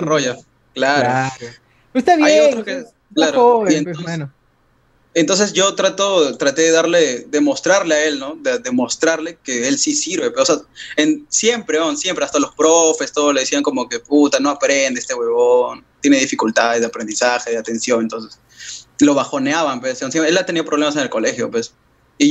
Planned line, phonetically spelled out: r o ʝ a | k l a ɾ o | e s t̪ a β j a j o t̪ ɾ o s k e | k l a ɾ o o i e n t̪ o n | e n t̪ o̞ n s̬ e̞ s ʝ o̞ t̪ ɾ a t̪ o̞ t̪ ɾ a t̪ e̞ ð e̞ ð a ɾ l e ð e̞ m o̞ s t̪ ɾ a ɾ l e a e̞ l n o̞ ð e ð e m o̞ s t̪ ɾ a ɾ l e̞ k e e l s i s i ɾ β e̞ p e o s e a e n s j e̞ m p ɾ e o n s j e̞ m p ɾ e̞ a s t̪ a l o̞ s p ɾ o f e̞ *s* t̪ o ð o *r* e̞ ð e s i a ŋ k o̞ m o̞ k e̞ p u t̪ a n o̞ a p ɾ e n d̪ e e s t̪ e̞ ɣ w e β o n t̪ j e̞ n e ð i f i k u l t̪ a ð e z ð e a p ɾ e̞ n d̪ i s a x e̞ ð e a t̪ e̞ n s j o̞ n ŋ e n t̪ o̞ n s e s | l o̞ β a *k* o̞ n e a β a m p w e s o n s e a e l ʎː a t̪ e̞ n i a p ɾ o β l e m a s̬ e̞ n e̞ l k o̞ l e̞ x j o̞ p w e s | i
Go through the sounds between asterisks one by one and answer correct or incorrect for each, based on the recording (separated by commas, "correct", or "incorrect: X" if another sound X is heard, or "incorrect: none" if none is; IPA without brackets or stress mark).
correct, incorrect: l, incorrect: x